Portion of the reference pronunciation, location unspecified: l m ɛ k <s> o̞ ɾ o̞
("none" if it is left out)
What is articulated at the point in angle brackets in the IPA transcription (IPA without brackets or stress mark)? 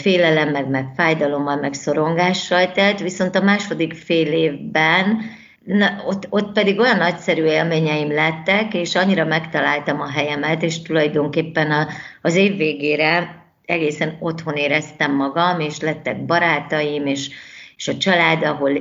s